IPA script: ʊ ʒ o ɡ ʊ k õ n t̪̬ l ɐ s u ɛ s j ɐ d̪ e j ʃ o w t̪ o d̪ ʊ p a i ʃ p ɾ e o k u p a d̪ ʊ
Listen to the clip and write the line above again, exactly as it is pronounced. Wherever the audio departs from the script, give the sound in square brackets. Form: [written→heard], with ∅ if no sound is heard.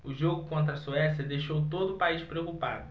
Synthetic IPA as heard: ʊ ʒ o ɡ ʊ k õ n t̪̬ [l→ɾ] ɐ s u ɛ s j ɐ d̪ e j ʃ o w t̪ o d̪ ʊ p a i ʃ p ɾ e o k u p a d̪ ʊ

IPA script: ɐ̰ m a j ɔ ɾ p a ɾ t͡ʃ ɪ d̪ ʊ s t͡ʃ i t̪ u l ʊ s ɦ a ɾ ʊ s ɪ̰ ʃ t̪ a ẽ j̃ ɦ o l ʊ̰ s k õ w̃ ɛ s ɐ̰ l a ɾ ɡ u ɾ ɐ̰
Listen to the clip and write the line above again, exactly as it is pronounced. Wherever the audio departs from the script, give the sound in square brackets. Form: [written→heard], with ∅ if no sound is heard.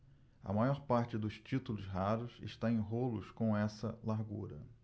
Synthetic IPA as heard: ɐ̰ m a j ɔ ɾ p a ɾ t͡ʃ ɪ d̪ ʊ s t͡ʃ i t̪ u l ʊ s ɦ a ɾ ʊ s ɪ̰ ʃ t̪ a ẽ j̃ ɦ o l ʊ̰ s k õ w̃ ɛ s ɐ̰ l a ɾ ɡ u ɾ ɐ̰

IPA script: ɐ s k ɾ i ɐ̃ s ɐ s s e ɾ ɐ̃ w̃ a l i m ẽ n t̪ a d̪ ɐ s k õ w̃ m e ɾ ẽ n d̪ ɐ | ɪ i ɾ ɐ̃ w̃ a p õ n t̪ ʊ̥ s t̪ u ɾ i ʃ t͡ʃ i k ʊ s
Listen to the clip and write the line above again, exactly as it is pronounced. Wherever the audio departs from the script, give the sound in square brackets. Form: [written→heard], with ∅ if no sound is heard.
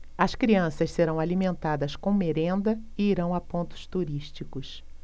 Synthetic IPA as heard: ɐ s k ɾ i ɐ̃ s ɐ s s e ɾ ɐ̃ w̃ a l i m ẽ n t̪ a d̪ ɐ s k õ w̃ m e ɾ ẽ n d̪ ɐ | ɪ i ɾ ɐ̃ w̃ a p õ n t̪ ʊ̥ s t̪ u ɾ i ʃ t͡ʃ i k ʊ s

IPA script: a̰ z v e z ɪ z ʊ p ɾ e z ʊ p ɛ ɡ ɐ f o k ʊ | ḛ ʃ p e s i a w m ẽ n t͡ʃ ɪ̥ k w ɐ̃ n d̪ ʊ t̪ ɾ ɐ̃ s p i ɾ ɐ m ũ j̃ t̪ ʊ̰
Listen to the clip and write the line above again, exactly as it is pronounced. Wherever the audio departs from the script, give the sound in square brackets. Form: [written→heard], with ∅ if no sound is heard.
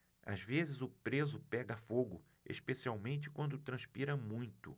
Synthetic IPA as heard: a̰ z v e z ɪ z ʊ p ɾ e z ʊ p ɛ ɡ ɐ f o [k→ɡ] ʊ | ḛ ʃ p e s i a w m ẽ n t͡ʃ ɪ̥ k w ɐ̃ n d̪ ʊ t̪ ɾ ɐ̃ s p i ɾ ɐ m ũ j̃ t̪ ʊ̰

